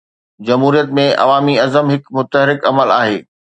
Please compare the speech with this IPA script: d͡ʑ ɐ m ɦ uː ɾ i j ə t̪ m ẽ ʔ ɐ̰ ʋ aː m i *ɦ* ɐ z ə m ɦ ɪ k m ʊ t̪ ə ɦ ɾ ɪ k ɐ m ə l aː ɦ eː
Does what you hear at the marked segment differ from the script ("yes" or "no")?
yes